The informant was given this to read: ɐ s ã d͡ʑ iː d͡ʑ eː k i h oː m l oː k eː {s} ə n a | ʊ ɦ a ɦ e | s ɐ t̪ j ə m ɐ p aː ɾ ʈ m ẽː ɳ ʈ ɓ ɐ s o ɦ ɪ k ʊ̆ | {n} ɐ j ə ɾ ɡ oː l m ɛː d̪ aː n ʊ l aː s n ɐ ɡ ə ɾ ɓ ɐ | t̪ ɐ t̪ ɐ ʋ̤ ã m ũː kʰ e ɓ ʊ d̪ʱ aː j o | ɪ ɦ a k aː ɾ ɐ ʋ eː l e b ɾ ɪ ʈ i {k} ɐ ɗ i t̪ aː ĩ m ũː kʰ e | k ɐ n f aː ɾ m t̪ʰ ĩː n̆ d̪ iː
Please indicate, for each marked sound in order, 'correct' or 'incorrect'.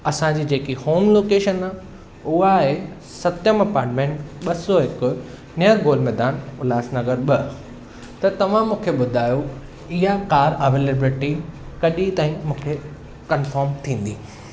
incorrect: ʃ, correct, correct

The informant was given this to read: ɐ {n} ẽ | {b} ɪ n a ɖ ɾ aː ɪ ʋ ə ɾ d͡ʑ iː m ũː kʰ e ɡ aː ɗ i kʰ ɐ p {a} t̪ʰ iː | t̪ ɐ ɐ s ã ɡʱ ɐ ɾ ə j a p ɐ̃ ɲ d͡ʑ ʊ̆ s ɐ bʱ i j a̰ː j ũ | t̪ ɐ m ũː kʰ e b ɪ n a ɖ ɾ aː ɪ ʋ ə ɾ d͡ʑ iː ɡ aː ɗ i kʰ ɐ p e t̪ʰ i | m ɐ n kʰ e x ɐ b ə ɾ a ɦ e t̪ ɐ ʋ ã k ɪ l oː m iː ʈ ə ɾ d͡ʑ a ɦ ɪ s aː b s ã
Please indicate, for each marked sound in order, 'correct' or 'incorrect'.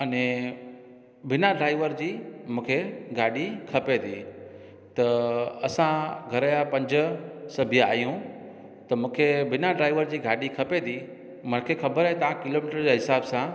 correct, correct, incorrect: e

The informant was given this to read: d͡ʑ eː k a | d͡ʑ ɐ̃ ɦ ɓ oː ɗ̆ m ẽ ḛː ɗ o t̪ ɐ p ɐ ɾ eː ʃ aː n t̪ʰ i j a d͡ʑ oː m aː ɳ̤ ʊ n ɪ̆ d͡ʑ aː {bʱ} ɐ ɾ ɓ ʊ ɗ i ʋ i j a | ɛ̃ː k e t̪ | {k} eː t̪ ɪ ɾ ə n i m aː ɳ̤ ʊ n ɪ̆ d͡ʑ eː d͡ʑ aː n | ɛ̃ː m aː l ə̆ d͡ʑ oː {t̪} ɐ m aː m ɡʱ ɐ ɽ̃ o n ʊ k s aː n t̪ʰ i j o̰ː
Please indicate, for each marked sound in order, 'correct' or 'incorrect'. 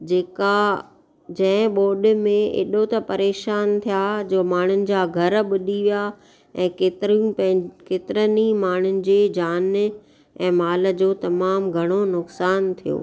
incorrect: ɡʱ, correct, correct

